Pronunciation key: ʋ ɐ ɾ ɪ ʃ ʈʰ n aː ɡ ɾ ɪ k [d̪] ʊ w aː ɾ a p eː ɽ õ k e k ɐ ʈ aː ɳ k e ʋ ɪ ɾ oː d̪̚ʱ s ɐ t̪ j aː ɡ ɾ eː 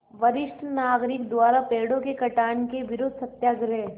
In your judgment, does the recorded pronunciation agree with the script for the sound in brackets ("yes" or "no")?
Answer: yes